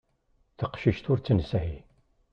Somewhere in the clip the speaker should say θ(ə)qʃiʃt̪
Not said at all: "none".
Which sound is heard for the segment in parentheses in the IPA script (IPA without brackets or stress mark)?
ə